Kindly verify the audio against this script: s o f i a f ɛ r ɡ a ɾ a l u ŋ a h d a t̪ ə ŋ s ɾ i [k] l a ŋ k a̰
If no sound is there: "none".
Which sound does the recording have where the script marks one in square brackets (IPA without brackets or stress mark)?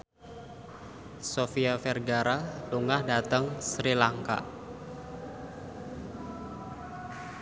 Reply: none